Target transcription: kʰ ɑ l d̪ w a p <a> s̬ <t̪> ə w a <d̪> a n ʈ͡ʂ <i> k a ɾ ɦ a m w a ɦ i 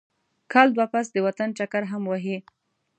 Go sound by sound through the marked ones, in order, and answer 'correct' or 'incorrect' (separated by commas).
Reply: correct, incorrect, incorrect, incorrect